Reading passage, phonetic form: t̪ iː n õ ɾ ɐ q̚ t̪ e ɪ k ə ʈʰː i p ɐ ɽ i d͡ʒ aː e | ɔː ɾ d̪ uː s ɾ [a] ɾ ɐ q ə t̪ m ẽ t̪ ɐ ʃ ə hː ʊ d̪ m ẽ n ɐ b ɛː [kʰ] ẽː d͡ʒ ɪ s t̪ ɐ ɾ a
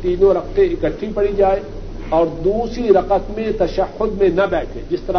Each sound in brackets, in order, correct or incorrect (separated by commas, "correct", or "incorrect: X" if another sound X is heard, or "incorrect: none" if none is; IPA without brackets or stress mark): incorrect: i, incorrect: ʈʰ